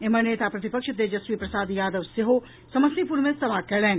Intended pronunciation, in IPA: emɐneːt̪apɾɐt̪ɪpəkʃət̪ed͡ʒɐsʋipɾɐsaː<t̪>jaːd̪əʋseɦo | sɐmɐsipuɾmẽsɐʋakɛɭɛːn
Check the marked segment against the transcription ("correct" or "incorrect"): incorrect